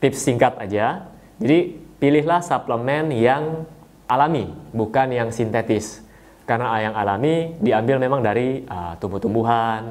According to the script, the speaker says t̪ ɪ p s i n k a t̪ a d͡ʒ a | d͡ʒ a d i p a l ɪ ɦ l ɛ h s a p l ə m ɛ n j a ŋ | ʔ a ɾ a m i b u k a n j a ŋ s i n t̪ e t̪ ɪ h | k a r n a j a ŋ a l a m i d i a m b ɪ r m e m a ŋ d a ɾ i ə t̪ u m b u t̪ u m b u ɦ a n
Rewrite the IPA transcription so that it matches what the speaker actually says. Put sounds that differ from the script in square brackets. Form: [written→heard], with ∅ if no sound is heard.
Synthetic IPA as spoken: t̪ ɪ p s i [n→ŋ] k a t̪ a d͡ʒ a | d͡ʒ a d i p [a→i] l ɪ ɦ l [ɛ→a] h s a p l ə m ɛ n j a ŋ | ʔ a [ɾ→l] a m i b u k a n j a ŋ s i n t̪ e t̪ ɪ [h→s] | k a r n a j a ŋ a l a m i d i a m b ɪ [r→l] m e m a ŋ d a ɾ i ə t̪ u m b u t̪ u m b u ɦ a n